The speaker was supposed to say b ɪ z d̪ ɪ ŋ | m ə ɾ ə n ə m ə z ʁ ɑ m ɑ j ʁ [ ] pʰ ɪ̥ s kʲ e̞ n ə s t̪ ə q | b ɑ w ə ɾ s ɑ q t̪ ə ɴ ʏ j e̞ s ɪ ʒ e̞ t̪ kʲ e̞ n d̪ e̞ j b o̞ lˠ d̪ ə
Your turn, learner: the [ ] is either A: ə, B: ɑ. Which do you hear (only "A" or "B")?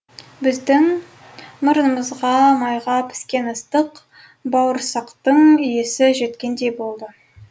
B